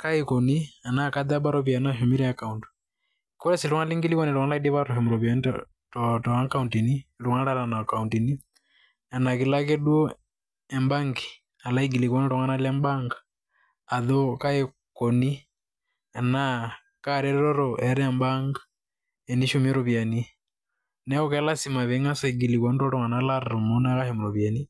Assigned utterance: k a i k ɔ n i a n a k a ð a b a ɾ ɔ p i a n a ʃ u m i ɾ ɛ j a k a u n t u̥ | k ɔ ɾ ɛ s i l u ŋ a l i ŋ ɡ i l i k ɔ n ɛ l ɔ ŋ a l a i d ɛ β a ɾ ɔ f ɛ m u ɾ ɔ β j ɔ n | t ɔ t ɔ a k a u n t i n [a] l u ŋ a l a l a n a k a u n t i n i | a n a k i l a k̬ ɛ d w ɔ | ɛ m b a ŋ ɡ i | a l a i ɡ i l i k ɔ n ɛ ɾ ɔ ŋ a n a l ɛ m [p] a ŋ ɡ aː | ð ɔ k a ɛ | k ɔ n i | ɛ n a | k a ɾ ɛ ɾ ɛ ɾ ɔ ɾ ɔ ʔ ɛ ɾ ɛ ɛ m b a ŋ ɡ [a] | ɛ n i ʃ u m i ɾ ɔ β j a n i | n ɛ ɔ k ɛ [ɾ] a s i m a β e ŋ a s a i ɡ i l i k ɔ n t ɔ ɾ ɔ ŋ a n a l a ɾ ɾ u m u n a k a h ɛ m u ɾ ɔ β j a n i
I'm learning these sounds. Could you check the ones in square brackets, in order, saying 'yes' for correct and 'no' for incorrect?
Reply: no, no, yes, no

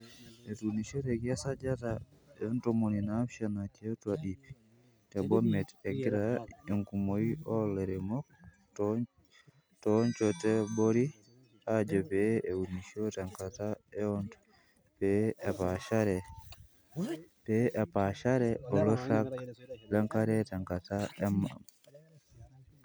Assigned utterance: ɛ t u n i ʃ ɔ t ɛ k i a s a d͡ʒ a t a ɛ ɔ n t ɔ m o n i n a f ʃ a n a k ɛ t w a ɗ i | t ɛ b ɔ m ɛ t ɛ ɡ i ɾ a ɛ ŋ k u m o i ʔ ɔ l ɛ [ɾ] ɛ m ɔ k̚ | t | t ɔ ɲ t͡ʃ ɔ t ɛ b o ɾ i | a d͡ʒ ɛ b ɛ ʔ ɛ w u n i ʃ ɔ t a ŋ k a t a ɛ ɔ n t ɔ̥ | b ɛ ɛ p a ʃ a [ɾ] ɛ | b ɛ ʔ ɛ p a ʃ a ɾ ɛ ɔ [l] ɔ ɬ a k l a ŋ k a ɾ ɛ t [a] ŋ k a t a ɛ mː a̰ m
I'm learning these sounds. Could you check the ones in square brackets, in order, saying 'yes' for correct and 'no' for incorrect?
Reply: yes, yes, yes, yes

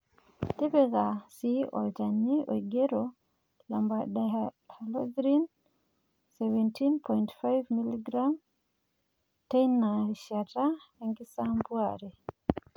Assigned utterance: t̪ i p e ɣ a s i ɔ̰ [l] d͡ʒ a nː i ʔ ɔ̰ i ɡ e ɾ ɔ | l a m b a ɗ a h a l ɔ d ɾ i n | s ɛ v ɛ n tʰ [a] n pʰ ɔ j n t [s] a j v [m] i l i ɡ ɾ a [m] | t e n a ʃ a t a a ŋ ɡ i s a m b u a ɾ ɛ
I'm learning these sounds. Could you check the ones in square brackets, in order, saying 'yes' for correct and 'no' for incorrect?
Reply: yes, no, no, yes, yes

